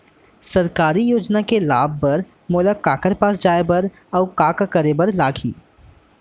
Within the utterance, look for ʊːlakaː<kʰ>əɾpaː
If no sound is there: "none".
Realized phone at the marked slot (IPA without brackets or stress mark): k